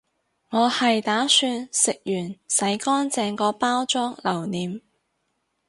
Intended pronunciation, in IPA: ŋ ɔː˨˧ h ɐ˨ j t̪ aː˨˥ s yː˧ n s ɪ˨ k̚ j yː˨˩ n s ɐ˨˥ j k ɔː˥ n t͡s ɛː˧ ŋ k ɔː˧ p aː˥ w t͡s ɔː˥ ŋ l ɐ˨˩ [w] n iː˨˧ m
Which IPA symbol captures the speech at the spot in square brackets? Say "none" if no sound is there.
w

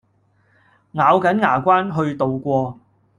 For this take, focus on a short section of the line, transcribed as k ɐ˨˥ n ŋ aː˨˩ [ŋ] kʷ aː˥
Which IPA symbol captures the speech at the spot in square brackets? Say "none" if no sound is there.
none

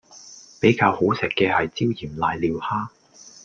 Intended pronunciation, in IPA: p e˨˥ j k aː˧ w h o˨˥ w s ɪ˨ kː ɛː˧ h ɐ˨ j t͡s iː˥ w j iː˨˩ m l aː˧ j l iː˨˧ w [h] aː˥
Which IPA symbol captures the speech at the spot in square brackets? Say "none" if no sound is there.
h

